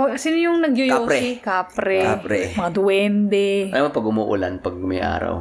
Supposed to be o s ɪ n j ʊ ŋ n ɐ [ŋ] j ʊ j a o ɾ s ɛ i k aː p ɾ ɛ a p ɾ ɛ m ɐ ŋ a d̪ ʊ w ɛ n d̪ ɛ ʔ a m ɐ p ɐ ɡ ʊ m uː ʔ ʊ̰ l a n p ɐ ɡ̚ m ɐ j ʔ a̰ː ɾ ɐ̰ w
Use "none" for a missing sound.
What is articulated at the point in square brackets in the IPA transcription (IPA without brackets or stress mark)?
ɡ